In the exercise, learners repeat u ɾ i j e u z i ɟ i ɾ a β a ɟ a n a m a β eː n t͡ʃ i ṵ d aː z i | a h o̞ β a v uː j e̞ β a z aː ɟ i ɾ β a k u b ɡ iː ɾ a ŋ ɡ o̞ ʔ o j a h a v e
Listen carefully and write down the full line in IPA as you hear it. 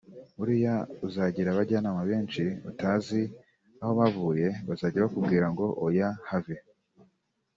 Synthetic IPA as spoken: u ɾ i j a u z a ɟ i ɾ a β a ɟ a n a m a β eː n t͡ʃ i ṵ t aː z i | a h o̞ β a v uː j e̞ β a z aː ɟ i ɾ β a k u b ɡ iː ɾ a ŋ ɡ o̞ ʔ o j a h a v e